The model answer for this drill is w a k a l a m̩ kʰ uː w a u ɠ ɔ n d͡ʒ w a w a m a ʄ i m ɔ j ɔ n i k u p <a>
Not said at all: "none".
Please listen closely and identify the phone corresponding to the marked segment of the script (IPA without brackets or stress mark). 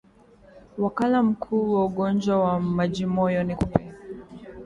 ɛ